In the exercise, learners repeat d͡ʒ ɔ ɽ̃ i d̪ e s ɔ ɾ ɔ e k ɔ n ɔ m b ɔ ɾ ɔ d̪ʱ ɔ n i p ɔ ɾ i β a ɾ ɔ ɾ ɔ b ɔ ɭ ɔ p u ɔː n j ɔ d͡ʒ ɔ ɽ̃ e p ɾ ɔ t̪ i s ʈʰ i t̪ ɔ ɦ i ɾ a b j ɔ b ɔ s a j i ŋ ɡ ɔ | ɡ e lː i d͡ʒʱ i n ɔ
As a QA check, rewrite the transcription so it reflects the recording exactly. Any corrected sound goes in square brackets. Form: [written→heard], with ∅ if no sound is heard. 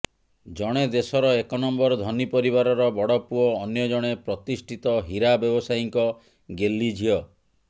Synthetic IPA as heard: d͡ʒ ɔ ɽ̃ [i→e] d̪ e s ɔ ɾ ɔ e k ɔ n ɔ m b ɔ ɾ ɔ d̪ʱ ɔ n i p ɔ ɾ i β a ɾ ɔ ɾ ɔ b ɔ [ɭ→ɽ] ɔ p u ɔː n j ɔ d͡ʒ ɔ ɽ̃ e p ɾ ɔ t̪ i s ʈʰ i t̪ ɔ ɦ i ɾ a b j ɔ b ɔ s a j i ŋ [ɡ→k] ɔ | ɡ e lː i d͡ʒʱ i [n→∅] ɔ